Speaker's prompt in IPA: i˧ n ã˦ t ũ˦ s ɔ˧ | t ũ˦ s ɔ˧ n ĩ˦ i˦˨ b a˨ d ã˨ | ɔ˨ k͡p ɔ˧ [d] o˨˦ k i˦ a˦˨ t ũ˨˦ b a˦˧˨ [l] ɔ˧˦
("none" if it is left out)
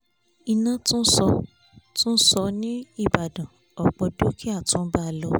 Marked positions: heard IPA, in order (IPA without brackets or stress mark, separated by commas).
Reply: d, l